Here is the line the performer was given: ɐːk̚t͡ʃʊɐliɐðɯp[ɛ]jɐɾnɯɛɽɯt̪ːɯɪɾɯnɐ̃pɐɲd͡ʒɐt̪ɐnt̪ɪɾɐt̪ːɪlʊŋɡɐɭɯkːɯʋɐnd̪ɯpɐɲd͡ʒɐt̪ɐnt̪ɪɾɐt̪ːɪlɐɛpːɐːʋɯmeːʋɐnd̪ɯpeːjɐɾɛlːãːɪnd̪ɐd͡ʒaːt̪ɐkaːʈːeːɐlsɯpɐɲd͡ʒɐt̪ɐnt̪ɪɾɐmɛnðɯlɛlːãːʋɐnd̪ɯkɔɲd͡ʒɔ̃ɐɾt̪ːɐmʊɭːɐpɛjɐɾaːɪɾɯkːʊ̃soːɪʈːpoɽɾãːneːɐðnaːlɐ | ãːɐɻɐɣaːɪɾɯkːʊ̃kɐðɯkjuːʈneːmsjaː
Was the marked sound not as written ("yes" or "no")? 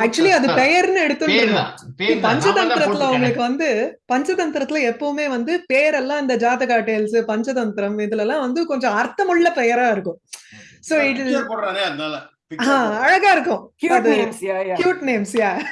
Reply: no